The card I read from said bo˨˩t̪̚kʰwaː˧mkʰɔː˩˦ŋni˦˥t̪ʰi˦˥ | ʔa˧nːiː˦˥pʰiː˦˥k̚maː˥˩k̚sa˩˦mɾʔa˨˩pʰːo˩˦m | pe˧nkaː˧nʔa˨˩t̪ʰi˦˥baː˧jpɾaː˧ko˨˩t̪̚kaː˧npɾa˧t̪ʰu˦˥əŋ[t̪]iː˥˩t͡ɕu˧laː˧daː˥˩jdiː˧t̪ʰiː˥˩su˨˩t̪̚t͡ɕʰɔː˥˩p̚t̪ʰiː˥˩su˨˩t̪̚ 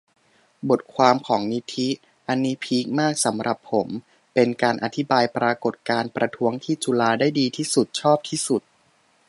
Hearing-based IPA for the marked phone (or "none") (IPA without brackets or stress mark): t̪ʰ